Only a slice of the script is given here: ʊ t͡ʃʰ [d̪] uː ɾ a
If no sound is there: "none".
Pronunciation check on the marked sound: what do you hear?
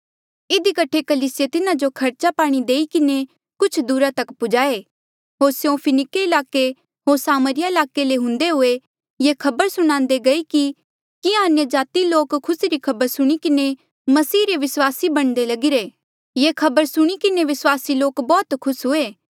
d̪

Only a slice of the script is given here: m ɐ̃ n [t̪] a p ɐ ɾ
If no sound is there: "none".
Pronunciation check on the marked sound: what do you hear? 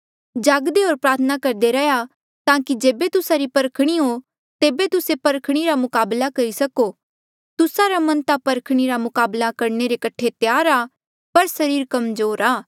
t̪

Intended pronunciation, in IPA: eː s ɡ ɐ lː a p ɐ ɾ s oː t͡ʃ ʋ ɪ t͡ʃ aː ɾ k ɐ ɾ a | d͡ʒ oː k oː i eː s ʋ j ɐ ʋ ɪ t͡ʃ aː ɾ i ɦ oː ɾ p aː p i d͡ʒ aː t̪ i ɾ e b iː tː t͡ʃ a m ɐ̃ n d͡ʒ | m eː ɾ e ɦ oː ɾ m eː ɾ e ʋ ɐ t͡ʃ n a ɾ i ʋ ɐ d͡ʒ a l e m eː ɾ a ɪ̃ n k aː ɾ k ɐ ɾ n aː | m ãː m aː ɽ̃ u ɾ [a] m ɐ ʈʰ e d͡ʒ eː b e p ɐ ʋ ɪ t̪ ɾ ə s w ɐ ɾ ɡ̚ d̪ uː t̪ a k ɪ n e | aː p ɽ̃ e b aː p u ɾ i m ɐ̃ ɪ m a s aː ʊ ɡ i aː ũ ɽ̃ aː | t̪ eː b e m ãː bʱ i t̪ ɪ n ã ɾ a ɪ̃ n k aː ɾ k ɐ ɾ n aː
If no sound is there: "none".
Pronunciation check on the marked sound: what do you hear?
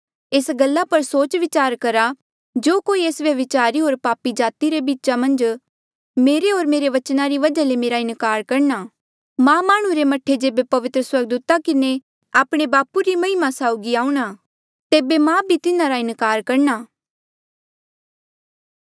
e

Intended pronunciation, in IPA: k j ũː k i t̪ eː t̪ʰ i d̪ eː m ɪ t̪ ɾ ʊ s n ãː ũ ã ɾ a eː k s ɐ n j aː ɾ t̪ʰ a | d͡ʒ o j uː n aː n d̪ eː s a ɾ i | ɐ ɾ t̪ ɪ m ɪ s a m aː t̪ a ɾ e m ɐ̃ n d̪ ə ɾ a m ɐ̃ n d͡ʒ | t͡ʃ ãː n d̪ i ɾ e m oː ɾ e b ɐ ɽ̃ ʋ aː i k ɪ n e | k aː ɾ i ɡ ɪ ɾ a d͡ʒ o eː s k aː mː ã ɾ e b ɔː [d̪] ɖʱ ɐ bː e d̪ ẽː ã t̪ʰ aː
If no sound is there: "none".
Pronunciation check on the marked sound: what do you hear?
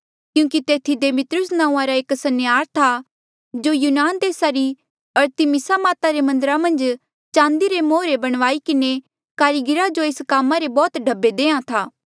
t̪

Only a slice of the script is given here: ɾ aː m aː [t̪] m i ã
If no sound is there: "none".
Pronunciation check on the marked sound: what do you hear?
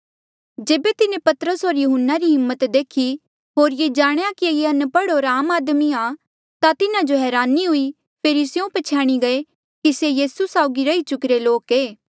d̪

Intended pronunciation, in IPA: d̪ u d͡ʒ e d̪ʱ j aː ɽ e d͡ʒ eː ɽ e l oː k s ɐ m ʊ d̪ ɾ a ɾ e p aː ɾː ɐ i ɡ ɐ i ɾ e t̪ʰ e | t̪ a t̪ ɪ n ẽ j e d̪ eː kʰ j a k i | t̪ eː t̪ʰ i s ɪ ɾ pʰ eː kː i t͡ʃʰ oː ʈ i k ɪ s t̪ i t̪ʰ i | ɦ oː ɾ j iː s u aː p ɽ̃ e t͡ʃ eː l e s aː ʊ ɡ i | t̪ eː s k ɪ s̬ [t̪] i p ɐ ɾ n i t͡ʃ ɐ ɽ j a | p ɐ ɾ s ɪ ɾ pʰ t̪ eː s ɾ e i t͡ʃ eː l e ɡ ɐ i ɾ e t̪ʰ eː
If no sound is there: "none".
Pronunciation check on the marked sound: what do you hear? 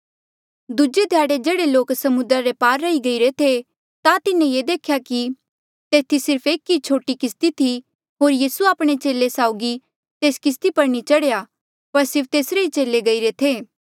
t̪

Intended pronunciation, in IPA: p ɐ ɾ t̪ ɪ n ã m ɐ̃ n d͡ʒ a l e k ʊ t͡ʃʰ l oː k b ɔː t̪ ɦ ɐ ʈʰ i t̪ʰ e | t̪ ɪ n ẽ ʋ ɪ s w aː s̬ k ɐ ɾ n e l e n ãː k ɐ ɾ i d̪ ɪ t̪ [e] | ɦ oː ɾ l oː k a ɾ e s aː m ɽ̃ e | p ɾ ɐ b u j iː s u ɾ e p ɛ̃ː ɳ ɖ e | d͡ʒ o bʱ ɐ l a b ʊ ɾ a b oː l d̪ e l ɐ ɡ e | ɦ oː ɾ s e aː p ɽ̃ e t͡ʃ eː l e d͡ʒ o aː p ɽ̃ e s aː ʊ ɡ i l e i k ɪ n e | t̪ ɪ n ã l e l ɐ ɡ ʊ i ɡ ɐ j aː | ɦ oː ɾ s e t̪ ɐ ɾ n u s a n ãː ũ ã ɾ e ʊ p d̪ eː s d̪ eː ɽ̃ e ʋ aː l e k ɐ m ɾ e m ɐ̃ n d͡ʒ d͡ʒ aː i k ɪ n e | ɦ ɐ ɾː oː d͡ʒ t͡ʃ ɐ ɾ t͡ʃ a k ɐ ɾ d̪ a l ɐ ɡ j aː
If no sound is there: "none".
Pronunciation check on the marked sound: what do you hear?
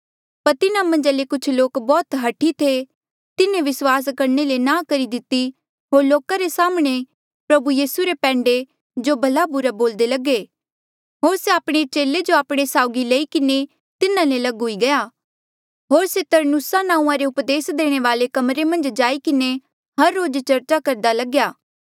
i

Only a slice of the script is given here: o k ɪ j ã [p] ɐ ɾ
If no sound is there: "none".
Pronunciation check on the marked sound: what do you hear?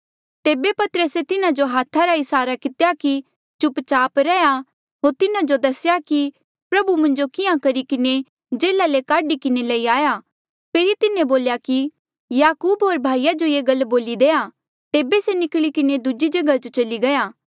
k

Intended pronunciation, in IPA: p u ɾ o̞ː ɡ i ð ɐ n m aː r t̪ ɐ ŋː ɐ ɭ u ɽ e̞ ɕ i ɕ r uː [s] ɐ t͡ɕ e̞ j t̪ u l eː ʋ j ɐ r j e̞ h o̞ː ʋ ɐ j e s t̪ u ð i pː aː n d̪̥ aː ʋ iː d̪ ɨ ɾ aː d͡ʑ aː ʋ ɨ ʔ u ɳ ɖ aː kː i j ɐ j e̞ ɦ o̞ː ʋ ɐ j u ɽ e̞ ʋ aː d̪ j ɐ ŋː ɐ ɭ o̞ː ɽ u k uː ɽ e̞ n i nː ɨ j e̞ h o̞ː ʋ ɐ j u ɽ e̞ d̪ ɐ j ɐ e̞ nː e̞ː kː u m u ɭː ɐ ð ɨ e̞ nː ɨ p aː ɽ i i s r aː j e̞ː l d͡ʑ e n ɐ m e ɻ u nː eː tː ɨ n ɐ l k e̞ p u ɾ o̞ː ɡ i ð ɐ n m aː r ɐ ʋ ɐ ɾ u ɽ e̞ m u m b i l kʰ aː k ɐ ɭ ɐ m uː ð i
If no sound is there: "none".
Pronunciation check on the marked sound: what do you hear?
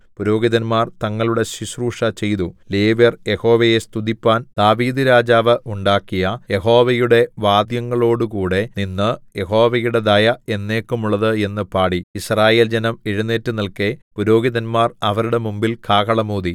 ʂ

